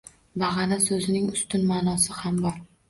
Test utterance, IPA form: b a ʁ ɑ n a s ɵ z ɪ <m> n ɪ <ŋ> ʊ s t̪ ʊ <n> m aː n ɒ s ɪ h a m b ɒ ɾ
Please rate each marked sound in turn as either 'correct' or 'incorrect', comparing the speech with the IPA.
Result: incorrect, correct, correct

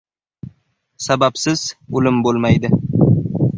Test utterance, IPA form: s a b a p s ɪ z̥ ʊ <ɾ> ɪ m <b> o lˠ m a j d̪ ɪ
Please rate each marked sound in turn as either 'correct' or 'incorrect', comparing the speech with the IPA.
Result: incorrect, correct

